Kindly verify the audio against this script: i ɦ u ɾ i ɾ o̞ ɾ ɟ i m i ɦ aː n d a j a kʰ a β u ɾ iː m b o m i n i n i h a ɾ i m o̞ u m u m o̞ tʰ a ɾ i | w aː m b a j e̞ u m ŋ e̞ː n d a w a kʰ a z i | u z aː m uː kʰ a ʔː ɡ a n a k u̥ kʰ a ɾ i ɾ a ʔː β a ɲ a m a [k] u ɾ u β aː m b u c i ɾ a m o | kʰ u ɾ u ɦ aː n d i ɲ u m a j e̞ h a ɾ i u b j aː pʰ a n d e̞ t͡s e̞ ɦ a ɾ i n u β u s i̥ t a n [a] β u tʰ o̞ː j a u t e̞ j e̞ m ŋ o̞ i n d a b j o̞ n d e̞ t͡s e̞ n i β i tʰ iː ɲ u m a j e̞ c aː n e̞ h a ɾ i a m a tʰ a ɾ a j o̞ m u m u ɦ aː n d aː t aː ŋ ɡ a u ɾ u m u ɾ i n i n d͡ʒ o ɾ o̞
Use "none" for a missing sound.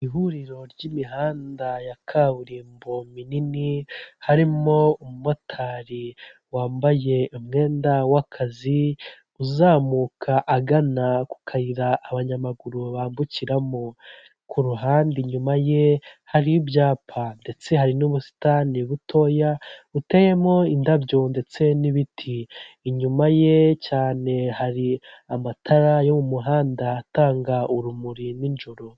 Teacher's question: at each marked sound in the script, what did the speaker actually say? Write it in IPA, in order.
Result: ɡ, i

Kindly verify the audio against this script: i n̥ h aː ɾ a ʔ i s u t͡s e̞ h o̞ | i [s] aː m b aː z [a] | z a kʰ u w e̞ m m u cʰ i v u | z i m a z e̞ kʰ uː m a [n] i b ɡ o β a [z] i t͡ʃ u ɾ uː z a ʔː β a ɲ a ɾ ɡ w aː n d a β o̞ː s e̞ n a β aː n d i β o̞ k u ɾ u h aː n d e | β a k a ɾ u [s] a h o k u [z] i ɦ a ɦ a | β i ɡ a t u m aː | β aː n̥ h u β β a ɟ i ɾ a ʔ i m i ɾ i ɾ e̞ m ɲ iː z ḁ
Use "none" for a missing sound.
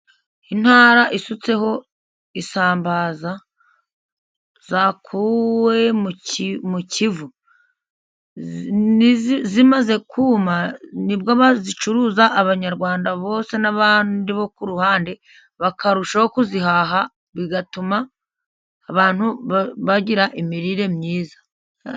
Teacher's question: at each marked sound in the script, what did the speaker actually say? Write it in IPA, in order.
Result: s, a, n, z, ʃ, z

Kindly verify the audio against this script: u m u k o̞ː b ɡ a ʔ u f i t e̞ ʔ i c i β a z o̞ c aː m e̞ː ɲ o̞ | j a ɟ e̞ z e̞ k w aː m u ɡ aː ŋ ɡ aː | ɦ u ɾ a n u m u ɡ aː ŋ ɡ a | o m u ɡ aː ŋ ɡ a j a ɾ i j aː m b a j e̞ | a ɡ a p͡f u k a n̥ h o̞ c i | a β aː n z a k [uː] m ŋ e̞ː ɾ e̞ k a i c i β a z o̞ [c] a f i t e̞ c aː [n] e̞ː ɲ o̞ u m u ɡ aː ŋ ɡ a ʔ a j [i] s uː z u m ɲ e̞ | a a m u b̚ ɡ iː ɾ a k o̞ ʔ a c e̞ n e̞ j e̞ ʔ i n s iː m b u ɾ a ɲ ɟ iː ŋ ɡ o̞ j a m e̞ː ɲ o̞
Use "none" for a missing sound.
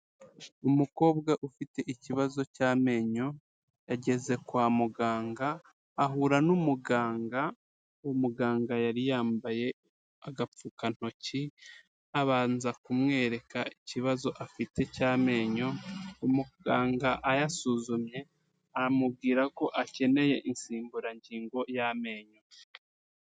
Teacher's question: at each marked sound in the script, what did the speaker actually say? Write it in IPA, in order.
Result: u, ʔ, m, a

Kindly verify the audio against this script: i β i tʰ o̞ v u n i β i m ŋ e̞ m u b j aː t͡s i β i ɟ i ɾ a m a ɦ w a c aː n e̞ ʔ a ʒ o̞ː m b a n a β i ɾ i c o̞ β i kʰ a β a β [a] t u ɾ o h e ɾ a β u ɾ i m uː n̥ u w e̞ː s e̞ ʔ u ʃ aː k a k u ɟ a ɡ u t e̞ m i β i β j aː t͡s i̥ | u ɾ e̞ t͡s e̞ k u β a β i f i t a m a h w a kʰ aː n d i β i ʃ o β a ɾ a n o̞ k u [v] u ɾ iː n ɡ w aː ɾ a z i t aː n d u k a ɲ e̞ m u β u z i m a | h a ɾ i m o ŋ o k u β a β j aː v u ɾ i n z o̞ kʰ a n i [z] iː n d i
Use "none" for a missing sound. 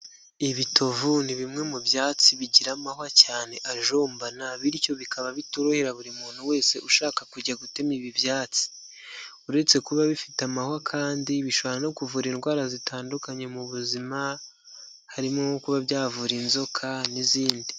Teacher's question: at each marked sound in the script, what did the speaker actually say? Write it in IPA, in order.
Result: i, v, z

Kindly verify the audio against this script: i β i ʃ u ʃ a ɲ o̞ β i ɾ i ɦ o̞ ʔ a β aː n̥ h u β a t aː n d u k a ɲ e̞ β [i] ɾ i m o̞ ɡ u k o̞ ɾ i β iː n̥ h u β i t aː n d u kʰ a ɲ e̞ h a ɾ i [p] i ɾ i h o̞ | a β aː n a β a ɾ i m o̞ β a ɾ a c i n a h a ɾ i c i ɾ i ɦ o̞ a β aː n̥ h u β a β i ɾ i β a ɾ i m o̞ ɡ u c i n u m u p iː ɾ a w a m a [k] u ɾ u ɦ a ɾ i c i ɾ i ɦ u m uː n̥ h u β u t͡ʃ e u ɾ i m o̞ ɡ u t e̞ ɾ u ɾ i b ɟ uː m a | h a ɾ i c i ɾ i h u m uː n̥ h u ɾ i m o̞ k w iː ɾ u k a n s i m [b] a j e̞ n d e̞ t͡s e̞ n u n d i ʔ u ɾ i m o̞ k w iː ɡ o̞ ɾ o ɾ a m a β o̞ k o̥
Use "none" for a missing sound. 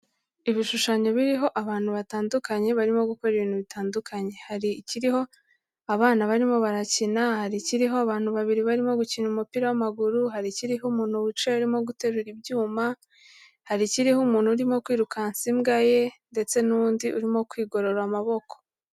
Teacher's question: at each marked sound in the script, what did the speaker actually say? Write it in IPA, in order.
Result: a, c, ɡ, ɡ

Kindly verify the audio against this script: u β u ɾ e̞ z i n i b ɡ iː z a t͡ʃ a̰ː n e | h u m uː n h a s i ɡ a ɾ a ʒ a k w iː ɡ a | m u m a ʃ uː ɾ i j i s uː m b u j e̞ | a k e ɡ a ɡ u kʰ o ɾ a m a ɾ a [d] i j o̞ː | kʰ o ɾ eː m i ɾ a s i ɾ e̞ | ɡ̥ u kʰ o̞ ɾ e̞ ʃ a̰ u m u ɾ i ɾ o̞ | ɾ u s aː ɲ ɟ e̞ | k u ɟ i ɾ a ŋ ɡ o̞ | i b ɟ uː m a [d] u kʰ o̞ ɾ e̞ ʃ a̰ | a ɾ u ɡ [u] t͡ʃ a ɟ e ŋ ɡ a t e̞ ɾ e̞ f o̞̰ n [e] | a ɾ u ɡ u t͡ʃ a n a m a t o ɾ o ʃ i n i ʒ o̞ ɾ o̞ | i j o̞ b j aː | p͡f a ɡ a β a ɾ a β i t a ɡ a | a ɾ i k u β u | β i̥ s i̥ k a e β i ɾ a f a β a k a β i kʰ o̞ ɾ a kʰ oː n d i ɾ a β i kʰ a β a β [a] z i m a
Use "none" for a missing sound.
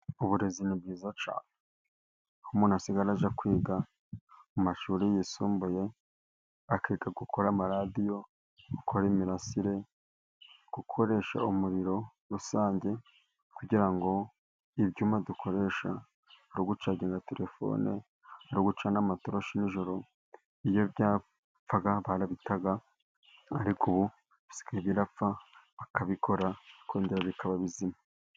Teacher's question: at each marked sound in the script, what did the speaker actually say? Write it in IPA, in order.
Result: d, d, u, e, i

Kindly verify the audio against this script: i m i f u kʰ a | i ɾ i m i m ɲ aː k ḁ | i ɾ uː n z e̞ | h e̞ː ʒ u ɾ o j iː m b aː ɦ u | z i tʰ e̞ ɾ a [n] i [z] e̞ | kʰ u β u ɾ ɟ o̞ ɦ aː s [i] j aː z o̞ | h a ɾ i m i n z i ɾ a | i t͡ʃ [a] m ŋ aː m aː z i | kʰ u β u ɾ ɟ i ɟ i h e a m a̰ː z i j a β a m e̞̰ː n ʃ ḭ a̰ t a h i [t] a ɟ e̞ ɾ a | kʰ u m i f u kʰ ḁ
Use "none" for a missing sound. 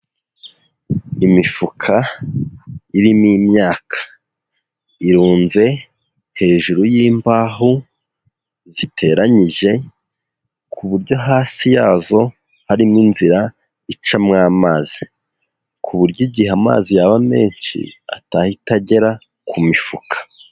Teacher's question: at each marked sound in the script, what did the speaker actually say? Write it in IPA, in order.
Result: ɲ, ʒ, i, a, t

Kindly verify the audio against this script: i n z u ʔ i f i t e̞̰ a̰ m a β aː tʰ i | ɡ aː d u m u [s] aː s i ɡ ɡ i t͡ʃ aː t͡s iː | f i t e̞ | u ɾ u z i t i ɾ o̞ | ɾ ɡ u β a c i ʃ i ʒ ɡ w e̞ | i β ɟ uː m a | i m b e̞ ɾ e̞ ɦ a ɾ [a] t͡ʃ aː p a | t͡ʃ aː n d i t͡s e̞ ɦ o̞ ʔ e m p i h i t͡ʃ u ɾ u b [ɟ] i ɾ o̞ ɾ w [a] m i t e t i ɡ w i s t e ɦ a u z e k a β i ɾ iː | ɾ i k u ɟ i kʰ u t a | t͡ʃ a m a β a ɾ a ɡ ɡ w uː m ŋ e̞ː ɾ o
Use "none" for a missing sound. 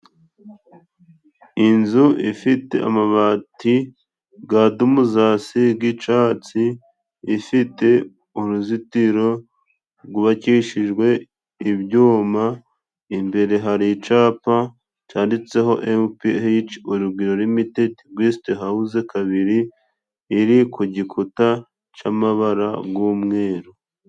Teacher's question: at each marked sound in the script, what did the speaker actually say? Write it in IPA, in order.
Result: z, i, ɡ, i

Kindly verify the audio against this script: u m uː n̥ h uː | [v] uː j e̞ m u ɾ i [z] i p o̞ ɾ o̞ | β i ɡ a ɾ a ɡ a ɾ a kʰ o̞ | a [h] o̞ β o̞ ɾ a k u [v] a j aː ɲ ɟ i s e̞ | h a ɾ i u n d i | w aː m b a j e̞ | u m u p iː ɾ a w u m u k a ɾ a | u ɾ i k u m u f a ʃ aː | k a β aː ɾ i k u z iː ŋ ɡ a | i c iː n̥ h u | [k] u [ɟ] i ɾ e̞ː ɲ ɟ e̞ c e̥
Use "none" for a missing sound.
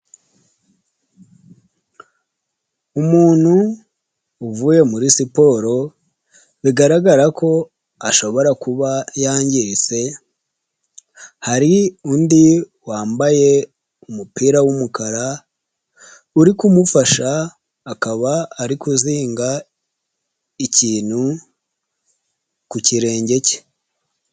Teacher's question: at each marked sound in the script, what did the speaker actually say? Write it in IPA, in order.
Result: v, s, ʃ, β, k, c

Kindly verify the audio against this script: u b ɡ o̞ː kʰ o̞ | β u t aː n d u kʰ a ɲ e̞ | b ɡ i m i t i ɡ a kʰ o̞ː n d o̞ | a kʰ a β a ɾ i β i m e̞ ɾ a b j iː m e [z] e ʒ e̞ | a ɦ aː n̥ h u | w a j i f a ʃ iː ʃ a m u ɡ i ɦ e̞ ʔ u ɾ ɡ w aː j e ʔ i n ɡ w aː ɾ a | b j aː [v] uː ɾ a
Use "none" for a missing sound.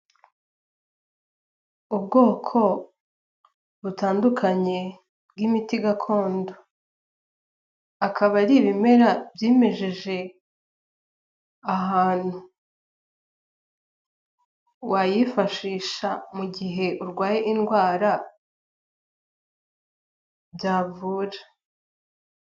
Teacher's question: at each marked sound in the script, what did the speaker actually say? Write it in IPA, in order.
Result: ʒ, v

